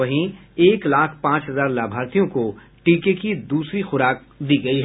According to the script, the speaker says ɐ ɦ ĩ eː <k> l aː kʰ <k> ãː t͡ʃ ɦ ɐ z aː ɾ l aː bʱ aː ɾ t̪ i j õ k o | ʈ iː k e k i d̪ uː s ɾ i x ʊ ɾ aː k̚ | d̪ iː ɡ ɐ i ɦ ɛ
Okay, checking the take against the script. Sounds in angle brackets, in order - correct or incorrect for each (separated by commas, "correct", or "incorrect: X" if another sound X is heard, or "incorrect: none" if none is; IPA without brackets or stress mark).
correct, incorrect: p